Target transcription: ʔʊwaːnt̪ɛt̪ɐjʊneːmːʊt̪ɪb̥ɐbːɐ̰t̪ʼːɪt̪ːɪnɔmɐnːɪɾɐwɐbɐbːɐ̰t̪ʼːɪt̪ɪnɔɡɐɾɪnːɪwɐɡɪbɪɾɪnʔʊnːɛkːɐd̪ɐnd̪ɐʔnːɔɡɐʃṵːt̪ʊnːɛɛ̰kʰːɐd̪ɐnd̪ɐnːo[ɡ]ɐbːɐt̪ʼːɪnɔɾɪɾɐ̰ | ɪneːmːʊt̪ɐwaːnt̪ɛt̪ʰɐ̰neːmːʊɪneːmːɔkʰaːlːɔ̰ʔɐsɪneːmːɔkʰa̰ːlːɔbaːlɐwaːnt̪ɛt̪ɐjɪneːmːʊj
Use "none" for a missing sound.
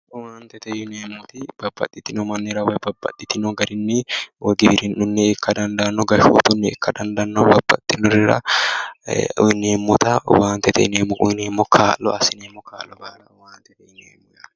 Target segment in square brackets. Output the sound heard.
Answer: b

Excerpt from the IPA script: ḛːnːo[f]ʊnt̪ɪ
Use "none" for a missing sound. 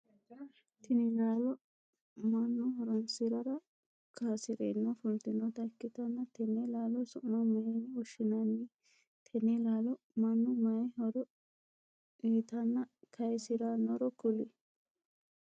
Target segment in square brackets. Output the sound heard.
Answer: f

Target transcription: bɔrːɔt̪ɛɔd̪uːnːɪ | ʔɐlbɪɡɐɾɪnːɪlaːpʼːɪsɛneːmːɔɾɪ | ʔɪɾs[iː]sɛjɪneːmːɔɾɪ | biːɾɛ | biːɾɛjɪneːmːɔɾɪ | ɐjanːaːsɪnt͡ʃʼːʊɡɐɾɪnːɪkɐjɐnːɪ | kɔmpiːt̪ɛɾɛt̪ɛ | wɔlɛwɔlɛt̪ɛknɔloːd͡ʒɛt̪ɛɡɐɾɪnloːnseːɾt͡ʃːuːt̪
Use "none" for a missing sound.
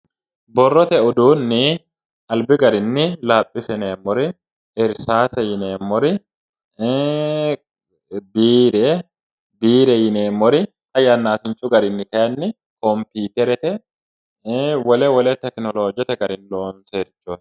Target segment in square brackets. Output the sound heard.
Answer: aː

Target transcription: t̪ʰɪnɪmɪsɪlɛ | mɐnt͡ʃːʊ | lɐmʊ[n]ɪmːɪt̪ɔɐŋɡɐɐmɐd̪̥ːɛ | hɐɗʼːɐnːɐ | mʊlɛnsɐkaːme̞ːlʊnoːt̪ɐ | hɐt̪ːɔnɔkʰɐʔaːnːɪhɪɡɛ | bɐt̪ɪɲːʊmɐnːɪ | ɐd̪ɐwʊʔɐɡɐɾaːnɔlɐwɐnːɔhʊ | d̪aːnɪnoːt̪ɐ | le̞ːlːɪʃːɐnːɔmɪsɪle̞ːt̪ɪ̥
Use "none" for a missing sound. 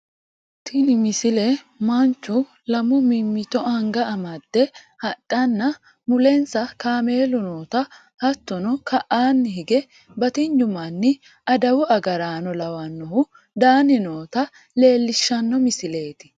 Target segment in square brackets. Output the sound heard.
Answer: m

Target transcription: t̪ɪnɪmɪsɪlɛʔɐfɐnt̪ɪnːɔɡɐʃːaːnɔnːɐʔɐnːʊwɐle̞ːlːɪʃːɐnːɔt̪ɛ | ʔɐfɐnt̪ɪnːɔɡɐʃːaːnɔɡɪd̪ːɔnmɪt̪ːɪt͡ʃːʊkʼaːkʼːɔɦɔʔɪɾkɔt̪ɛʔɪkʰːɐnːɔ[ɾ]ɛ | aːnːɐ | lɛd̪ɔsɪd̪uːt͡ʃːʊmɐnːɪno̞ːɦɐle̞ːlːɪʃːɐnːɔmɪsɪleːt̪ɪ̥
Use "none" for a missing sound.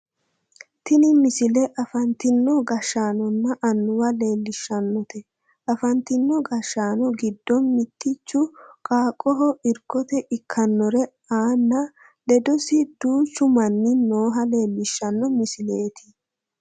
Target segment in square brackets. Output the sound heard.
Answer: ɾ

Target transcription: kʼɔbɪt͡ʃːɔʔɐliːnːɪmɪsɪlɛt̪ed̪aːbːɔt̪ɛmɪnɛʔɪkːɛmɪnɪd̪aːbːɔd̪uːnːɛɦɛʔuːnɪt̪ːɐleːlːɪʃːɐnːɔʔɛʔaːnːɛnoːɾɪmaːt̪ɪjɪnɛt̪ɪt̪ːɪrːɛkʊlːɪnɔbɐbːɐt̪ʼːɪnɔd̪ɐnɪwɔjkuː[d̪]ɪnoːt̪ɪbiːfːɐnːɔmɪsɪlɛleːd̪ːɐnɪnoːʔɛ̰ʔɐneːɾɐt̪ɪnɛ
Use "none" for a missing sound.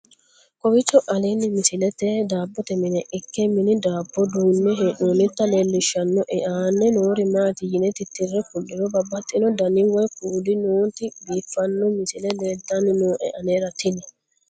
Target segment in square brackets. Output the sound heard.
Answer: d̪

